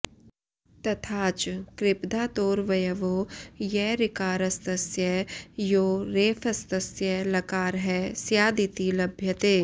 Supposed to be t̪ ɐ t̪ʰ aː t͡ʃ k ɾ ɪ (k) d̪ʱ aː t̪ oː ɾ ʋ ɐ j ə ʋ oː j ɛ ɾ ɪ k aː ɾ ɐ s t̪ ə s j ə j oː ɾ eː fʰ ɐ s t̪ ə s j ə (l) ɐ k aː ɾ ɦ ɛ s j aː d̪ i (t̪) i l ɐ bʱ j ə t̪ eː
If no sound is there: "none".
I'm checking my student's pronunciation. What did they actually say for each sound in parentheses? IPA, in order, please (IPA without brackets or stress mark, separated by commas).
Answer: p, l, t̪